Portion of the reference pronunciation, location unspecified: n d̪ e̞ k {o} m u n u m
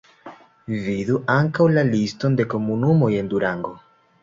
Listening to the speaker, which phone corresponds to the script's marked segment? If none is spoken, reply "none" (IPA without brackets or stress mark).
o